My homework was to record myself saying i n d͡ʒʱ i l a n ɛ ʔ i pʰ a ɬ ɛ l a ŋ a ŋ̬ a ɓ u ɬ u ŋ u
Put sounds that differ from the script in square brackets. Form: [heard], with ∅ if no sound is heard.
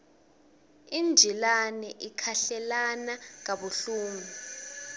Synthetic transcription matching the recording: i n d͡ʒʱ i l a n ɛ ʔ i [kʰ] a ɬ ɛ l a [n] a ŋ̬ a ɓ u ɬ [uː] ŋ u